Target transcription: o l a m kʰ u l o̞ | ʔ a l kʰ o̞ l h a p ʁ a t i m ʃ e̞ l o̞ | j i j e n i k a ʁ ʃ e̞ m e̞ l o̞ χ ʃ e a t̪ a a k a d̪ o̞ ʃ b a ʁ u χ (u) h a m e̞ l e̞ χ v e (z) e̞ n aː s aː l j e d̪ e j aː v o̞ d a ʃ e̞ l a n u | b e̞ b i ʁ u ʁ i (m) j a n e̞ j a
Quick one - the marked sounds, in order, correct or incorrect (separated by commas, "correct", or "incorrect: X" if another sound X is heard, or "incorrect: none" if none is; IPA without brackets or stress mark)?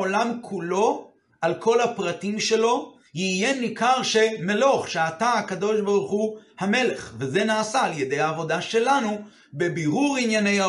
correct, correct, incorrect: n